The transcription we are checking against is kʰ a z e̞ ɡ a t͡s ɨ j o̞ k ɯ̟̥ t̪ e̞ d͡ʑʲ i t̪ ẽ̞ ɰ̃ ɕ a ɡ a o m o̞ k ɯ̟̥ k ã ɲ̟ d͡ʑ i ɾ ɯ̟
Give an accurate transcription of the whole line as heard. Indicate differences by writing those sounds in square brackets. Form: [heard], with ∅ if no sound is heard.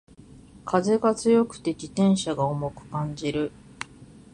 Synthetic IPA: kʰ a z e̞ ɡ a t͡s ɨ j o̞ k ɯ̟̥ t̪ e̞ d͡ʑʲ i t̪ ẽ̞ ɰ̃ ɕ a ɡ a o m o̞ k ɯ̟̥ k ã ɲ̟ d͡ʑ i ɾ ɯ̟